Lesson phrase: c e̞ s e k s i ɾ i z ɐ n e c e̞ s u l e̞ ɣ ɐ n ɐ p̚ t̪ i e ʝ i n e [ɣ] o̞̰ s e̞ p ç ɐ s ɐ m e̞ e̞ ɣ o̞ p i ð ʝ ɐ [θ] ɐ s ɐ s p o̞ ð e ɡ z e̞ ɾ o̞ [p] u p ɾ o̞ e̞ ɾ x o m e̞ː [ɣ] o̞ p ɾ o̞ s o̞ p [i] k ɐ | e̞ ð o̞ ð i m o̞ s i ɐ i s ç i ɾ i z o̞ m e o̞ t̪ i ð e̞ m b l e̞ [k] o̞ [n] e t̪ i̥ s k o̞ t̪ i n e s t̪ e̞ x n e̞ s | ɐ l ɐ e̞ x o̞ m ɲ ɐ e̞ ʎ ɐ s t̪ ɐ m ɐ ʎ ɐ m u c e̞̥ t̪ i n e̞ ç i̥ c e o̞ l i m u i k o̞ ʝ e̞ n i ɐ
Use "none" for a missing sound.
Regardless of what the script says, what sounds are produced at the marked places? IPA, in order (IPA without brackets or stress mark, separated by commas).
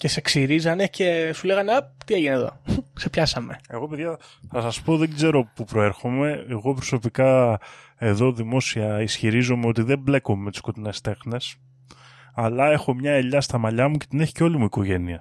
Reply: ð, θ, p, ɣ, i, k, m